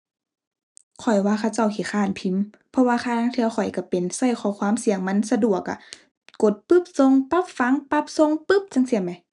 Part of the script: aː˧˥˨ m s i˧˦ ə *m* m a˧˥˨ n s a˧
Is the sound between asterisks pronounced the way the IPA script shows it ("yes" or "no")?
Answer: no